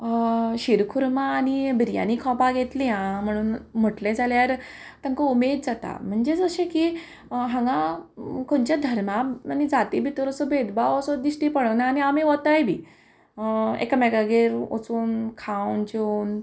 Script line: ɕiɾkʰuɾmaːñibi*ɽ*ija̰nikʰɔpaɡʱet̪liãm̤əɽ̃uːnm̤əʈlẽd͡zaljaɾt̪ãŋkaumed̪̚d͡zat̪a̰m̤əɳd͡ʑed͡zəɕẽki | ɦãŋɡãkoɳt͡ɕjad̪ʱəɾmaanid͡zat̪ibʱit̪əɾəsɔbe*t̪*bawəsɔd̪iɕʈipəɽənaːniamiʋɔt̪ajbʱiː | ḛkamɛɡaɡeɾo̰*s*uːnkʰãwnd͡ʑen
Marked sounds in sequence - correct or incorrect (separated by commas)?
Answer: incorrect, incorrect, incorrect